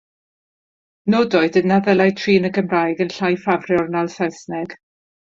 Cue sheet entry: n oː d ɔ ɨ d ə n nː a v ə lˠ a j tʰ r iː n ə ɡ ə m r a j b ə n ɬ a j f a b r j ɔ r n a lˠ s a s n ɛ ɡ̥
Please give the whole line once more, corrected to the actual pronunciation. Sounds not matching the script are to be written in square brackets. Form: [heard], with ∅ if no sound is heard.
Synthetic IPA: n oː d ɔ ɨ d ə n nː a [ð] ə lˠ a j tʰ r iː n ə ɡ ə m r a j [ɡ] ə n ɬ a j f a [v] r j ɔ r n a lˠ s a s n ɛ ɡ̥